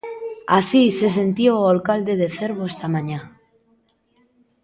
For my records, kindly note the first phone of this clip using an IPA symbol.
a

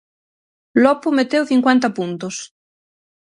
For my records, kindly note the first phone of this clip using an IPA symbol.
l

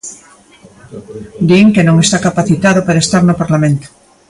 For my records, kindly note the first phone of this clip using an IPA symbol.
d̪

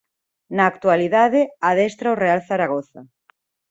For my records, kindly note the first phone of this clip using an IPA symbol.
n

